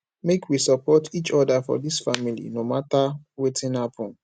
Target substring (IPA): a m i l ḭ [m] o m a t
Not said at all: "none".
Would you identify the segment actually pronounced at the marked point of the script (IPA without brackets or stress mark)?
n